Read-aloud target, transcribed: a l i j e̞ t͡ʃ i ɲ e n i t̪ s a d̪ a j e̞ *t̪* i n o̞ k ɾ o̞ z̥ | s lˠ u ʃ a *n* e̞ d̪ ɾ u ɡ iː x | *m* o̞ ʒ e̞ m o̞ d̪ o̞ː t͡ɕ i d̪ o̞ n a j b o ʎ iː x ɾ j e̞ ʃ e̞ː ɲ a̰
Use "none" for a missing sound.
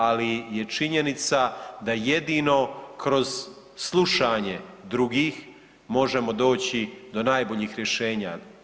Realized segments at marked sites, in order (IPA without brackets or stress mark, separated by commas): d̪, ɲ, m